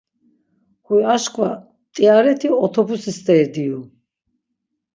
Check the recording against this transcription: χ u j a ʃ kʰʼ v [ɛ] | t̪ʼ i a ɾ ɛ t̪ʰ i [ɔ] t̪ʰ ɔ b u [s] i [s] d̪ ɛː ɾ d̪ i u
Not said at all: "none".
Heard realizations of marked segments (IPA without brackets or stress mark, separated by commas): a, ɔ, s, s